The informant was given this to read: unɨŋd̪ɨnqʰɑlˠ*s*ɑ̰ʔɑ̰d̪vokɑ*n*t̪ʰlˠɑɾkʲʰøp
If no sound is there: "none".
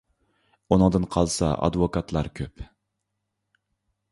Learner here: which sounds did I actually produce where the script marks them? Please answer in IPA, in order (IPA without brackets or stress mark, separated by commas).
s, none